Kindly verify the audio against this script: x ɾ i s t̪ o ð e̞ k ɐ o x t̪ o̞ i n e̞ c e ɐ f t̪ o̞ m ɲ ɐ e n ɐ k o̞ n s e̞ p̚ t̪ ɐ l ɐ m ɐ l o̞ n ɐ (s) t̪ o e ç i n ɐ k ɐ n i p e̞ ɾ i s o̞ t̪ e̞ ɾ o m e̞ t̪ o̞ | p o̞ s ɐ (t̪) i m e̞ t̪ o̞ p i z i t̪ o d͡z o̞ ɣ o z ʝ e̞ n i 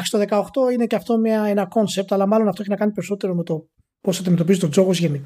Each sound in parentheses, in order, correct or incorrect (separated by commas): incorrect, incorrect